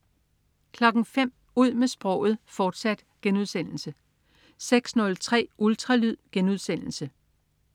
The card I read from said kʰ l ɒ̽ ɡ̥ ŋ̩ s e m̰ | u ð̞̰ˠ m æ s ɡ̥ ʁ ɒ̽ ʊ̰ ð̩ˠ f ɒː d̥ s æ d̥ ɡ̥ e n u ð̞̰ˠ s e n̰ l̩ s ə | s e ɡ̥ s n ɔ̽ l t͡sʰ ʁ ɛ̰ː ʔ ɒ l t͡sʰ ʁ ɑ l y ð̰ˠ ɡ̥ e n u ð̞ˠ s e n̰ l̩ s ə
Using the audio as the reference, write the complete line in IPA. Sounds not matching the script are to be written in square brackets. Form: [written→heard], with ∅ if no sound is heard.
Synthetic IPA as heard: kʰ l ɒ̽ ɡ̥ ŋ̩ [s→f] e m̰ | u ð̞̰ˠ m [æ→e] s [ɡ̥→b̥] ʁ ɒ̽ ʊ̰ ð̩ˠ f ɒː d̥ s æ d̥ ɡ̥ e n u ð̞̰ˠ s e n̰ l̩ s ə | s e ɡ̥ s n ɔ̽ l t͡sʰ ʁ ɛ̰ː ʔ [ɒ→u] l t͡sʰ ʁ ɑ l y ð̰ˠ ɡ̥ e n u ð̞ˠ s e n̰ l̩ s ə